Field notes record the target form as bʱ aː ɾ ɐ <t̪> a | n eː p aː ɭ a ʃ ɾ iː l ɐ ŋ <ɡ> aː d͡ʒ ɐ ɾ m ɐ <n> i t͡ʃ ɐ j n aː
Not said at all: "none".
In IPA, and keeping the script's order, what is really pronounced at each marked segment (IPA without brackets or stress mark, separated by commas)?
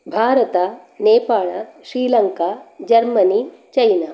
t̪, k, n